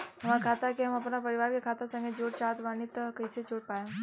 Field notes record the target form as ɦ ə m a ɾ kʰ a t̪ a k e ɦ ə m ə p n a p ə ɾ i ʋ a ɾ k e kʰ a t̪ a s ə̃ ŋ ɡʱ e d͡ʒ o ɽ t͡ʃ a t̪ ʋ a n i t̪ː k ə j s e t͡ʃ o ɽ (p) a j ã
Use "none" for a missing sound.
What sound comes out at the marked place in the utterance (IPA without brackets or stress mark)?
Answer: p